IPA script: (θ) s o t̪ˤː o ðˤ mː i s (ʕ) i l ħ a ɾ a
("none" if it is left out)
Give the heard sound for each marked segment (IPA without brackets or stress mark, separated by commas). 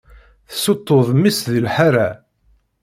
θ, ð